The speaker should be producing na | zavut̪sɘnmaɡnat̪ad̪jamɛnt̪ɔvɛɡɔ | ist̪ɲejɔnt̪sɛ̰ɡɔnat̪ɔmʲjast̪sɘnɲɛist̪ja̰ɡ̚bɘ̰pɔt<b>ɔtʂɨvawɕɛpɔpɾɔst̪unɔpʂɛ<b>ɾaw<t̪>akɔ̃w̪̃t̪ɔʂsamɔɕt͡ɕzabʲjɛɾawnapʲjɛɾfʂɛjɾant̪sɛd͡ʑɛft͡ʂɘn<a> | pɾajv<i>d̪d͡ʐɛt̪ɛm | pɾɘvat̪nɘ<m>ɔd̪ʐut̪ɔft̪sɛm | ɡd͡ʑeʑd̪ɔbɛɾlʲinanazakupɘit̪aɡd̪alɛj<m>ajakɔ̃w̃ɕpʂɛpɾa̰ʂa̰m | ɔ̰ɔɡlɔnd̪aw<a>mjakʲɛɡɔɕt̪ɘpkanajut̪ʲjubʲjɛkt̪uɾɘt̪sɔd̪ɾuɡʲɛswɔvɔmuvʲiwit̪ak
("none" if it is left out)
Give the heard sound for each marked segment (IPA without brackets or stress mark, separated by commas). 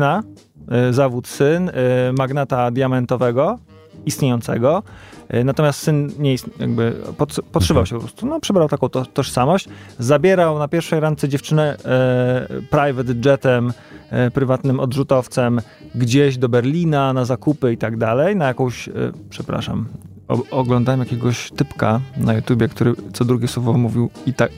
p, b, t̪, ɛ, ɛ, m, n, ɛ